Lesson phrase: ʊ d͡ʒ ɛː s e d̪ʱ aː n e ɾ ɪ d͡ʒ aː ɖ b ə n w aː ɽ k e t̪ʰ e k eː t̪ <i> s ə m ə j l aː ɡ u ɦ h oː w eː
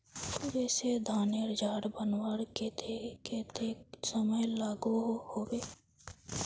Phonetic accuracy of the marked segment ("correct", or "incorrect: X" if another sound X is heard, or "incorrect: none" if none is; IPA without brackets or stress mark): incorrect: e